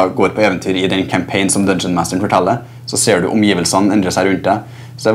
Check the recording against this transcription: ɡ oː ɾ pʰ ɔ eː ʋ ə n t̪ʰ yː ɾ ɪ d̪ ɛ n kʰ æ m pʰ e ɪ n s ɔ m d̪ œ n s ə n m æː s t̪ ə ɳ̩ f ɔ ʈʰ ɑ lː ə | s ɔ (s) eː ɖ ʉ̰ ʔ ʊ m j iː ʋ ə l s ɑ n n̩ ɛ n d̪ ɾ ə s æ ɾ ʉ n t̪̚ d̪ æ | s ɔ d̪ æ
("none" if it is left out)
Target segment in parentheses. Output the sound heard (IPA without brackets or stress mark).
s